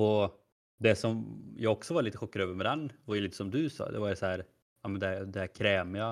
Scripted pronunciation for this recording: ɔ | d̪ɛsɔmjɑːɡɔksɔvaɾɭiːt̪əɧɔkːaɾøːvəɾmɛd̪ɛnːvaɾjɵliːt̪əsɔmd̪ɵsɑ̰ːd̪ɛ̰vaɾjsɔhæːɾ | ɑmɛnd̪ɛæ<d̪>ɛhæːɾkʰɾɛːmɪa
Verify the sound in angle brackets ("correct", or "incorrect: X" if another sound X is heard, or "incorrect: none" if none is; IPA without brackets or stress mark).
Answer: correct